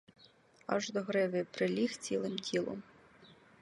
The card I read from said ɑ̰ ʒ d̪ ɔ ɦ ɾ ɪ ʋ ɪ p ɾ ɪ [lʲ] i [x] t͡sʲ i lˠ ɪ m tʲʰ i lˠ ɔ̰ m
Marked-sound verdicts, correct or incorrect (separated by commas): correct, correct